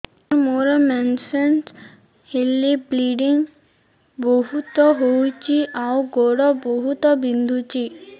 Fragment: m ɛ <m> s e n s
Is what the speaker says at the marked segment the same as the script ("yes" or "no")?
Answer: no